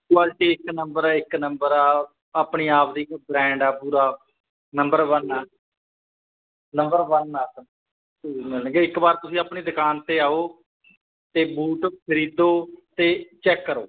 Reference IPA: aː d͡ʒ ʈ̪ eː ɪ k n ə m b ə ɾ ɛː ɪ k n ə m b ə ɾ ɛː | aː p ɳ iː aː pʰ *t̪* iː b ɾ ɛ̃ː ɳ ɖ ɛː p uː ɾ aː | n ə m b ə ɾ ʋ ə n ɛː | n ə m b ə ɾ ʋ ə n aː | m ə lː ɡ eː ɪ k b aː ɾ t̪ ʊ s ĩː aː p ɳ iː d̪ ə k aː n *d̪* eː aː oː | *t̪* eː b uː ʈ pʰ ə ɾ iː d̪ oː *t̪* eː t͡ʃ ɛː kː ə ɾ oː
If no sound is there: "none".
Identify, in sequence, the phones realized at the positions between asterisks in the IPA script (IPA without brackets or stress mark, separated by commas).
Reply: d̪, t̪, t̪, t̪